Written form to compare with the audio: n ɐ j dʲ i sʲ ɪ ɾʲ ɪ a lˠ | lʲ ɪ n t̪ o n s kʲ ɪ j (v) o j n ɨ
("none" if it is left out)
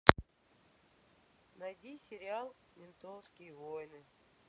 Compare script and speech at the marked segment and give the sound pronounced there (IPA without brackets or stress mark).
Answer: v